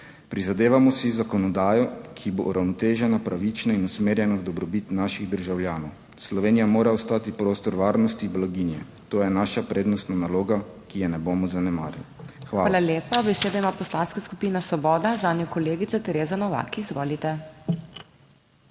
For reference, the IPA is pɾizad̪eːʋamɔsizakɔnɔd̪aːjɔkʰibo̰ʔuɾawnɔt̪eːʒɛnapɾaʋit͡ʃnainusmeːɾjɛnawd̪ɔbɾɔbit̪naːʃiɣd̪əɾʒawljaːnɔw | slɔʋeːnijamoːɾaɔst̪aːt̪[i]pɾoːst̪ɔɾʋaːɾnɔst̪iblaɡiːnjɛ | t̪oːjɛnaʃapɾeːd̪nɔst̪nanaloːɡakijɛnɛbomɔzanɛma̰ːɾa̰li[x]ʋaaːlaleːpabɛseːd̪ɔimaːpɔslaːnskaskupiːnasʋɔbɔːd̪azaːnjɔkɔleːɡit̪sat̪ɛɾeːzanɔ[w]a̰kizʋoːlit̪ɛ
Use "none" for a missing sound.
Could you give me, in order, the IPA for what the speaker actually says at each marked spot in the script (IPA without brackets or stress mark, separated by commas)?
i, x, ʋ